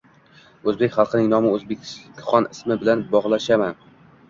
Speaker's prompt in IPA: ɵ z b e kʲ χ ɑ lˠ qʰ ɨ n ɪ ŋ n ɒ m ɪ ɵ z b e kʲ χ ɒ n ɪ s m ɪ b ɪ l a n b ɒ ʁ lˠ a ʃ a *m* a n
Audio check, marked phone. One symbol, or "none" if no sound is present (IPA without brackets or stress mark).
m